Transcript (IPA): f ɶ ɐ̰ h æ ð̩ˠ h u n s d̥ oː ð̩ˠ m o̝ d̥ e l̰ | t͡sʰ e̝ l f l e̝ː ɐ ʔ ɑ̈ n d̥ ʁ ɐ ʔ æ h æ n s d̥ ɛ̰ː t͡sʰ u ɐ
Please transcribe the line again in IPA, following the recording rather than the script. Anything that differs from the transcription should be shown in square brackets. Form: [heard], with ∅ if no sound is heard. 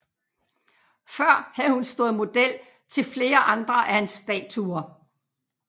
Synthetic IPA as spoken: f ɶ ɐ̰ h æ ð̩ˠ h u n s d̥ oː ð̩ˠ m o̝ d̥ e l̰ | t͡sʰ e̝ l f l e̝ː ɐ ʔ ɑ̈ n d̥ ʁ ɐ ʔ æ h æ n s d̥ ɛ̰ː t͡sʰ u ɐ